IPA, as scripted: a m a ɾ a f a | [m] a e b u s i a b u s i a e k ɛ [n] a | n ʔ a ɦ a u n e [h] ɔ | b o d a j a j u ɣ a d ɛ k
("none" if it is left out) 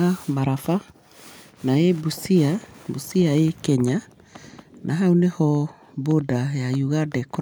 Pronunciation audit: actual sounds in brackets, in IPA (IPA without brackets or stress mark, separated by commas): n, ɲ, h